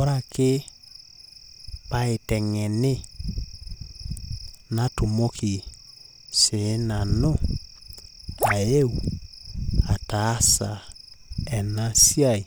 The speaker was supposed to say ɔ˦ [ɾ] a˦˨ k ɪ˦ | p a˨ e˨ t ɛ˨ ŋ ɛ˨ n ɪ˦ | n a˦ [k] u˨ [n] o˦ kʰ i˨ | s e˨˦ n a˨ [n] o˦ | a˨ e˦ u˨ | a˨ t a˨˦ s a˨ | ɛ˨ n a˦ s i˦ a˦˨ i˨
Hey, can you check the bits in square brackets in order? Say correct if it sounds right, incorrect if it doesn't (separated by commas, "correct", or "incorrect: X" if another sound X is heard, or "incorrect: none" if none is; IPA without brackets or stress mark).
correct, incorrect: t, incorrect: m, correct